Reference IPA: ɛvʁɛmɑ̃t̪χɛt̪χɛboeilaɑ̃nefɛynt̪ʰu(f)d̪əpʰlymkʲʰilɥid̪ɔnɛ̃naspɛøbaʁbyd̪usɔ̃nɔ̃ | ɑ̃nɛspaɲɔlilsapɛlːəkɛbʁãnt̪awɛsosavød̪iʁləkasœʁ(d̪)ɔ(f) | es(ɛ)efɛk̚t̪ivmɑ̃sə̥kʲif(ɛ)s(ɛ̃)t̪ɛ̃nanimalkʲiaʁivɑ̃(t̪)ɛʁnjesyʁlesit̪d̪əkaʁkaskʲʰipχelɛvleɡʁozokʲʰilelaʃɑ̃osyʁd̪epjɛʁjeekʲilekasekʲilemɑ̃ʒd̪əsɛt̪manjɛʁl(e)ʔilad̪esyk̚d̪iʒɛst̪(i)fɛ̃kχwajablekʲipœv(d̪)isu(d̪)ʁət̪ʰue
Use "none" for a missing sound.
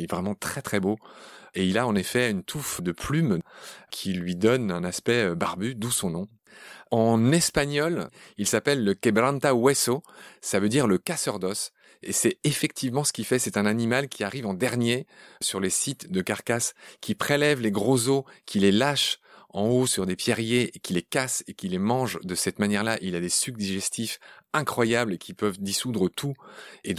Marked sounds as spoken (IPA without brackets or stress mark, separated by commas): f, d̪, s, ɛ, ɛ, ɛ, d̪, a, i, d̪, d̪